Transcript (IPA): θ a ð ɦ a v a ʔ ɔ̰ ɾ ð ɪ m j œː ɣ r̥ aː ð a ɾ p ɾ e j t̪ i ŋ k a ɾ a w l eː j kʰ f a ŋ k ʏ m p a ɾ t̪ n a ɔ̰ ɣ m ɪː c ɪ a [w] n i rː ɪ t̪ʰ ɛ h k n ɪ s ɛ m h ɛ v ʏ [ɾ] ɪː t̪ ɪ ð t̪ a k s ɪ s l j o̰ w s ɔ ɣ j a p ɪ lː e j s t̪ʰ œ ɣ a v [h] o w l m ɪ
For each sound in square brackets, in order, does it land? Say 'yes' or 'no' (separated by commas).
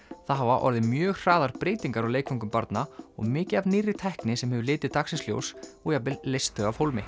no, no, yes